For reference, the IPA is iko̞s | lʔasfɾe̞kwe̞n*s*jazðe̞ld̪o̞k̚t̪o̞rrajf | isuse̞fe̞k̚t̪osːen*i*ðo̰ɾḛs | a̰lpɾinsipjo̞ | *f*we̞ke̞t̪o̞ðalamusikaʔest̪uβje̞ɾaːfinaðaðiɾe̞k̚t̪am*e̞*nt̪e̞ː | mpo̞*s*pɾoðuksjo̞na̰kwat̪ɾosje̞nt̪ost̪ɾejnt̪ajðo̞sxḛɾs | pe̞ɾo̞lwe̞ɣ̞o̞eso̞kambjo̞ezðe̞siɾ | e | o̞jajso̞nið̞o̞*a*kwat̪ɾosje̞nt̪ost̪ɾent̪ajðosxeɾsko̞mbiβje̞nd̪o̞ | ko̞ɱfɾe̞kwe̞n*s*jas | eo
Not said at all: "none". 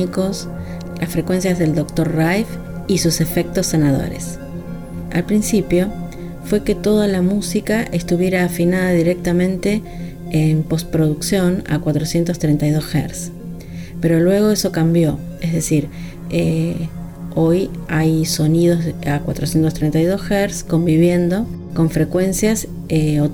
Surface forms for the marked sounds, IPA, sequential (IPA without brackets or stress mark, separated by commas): s, a, f, ẽ̞, s, a, s